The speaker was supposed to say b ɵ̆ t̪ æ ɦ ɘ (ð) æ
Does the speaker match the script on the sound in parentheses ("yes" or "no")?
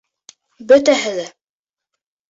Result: yes